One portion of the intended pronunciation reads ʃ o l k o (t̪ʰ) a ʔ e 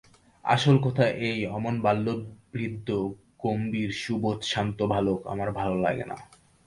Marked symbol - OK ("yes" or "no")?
yes